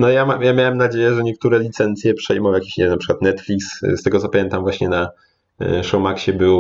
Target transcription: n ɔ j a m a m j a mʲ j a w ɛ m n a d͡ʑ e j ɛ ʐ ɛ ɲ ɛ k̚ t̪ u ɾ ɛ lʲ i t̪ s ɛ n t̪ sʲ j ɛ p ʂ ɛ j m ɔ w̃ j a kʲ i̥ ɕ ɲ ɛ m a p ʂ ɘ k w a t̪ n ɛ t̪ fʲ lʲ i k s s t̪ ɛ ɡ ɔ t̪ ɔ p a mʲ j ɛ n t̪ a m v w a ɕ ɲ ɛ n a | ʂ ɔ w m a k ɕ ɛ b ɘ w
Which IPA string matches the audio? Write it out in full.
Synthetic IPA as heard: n ɔ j a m a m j a mʲ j a w ɛ m n a d͡ʑ e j ɛ ʐ ɛ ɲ ɛ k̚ t̪ u ɾ ɛ lʲ i t̪ s ɛ n t̪ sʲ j ɛ p ʂ ɛ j m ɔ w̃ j a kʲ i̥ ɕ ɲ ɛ n a p ʂ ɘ k w a t̪ n ɛ t̪ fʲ lʲ i k s s t̪ ɛ ɡ ɔ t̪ ɔ p a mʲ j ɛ n t̪ a m v w a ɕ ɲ ɛ n a | ʂ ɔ w m a k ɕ ɛ b ɘ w